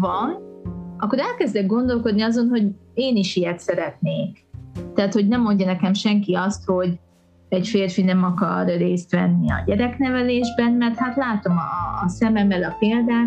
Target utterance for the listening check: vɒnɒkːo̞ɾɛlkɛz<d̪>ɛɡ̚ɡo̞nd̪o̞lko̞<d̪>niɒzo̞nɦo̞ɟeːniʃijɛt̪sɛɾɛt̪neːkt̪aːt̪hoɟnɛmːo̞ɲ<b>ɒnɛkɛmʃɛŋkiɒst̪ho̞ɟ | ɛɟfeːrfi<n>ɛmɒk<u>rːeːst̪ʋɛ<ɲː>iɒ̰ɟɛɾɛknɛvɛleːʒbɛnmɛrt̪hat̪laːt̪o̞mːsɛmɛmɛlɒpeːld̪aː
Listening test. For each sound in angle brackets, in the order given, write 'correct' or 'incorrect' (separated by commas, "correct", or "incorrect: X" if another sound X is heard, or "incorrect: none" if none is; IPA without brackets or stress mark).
correct, correct, incorrect: ɟ, correct, incorrect: ɒ, incorrect: nː